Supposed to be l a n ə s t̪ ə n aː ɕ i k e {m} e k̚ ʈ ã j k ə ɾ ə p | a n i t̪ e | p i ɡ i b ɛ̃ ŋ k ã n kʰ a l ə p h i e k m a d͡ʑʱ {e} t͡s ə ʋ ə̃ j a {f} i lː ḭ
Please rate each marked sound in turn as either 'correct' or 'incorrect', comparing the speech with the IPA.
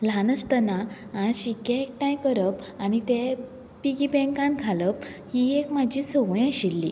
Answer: incorrect: none, incorrect: i, incorrect: ɕ

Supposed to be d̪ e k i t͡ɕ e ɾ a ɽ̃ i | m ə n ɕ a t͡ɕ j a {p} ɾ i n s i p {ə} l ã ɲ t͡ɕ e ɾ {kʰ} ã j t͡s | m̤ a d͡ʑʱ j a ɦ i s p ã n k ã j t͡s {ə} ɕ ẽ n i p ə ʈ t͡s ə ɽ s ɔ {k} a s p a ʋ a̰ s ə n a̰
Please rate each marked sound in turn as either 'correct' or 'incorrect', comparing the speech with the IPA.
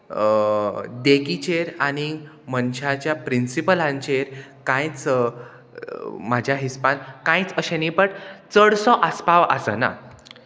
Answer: correct, correct, incorrect: k, correct, incorrect: ʔ

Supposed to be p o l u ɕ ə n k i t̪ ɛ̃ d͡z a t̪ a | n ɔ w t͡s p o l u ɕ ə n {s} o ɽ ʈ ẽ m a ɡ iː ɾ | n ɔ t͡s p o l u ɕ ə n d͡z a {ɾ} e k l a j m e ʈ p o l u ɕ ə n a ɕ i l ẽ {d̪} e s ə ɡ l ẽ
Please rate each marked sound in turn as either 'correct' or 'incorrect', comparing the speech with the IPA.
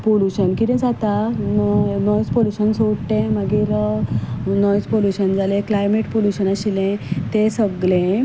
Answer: correct, incorrect: l, incorrect: t̪

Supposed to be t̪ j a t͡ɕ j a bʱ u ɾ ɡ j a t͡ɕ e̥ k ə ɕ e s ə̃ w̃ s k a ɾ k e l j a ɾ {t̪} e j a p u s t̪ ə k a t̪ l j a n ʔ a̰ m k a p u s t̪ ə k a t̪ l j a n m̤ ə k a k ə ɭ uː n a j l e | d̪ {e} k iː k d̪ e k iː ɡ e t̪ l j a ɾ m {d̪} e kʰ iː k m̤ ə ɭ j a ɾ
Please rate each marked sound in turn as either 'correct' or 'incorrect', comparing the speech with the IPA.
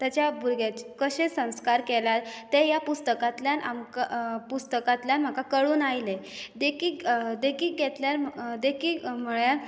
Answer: correct, correct, correct

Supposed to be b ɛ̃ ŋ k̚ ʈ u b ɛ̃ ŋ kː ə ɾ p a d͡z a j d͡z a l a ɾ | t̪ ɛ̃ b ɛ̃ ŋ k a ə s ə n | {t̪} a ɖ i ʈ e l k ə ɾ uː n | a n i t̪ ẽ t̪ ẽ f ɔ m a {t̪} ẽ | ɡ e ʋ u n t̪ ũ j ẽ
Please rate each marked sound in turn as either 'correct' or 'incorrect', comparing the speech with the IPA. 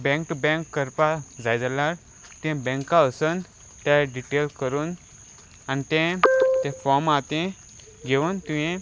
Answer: correct, correct

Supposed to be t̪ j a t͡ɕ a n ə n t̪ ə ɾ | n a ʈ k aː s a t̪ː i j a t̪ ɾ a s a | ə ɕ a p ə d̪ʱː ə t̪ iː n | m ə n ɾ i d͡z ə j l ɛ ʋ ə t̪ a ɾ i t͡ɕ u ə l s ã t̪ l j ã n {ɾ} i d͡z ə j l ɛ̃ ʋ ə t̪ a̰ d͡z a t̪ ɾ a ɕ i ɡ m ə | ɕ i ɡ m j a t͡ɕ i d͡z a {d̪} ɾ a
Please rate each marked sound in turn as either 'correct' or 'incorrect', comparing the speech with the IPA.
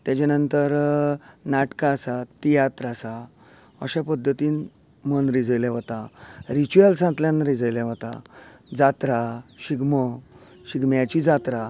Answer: correct, incorrect: t̪

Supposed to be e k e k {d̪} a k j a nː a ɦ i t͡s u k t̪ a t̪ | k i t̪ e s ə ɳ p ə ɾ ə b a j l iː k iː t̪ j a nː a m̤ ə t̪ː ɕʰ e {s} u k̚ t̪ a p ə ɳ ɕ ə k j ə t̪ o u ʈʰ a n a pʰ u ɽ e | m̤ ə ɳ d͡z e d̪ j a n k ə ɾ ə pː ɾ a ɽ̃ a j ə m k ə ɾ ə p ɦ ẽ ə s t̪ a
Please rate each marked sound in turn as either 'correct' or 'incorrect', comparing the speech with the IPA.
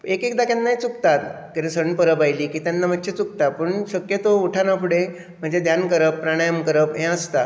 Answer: correct, incorrect: t͡s

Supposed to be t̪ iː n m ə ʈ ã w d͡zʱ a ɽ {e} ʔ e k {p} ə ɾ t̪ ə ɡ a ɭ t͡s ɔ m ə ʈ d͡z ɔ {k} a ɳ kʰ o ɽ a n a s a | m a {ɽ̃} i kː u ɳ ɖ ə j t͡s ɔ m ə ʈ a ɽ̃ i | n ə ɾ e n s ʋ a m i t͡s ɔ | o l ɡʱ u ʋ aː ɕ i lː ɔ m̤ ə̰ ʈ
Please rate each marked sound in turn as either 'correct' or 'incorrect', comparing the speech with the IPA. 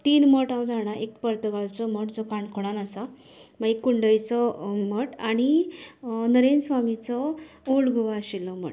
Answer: incorrect: a, correct, correct, incorrect: none

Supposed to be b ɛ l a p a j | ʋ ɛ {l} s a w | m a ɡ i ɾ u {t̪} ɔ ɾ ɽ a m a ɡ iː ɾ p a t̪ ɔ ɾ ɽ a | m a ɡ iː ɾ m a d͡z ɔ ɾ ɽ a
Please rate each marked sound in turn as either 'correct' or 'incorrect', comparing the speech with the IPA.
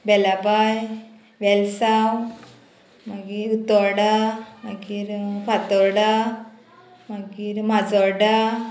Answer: correct, correct

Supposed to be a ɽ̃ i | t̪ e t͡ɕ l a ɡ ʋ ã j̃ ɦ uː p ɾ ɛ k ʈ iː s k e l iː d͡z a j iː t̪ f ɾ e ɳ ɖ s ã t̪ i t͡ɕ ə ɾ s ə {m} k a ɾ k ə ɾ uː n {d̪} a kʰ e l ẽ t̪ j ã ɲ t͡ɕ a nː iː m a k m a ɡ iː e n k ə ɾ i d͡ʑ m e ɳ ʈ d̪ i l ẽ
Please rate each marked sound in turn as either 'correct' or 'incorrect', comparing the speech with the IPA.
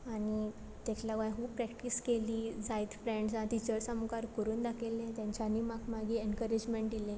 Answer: correct, correct

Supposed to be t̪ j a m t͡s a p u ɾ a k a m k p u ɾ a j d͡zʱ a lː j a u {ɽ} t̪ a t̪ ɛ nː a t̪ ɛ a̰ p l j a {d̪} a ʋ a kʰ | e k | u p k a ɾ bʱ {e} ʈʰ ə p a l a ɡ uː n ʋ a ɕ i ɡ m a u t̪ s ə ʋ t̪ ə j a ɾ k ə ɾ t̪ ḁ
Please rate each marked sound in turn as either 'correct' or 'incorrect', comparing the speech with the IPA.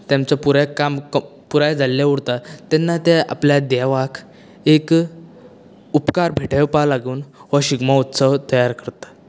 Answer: correct, correct, correct

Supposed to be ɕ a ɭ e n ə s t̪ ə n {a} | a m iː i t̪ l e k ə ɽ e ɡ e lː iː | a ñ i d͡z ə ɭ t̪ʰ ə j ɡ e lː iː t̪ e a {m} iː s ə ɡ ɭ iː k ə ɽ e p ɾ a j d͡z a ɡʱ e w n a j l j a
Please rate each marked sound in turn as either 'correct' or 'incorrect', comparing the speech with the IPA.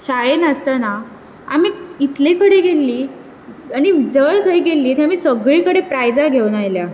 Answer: correct, correct

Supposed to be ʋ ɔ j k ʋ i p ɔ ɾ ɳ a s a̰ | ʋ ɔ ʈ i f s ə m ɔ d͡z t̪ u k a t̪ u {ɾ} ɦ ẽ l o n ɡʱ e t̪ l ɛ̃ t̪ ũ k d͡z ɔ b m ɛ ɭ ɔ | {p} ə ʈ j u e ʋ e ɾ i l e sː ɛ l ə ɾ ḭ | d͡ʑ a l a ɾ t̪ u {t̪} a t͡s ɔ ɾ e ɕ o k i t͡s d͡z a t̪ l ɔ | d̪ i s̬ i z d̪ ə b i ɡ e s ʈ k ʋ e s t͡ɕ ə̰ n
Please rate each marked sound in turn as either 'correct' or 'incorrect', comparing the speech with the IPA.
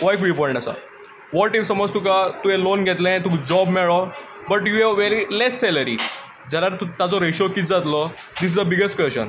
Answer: incorrect: none, incorrect: b, correct

